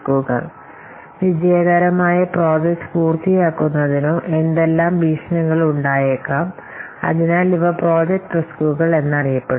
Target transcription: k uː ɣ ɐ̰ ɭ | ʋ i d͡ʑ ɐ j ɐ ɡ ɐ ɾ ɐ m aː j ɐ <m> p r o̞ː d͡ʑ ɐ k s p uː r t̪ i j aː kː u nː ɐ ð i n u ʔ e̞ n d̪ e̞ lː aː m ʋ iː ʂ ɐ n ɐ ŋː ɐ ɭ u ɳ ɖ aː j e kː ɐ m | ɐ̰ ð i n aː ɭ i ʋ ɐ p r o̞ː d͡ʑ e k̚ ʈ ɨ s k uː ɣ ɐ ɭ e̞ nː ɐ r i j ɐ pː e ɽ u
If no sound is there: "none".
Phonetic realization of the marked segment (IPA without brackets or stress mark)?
none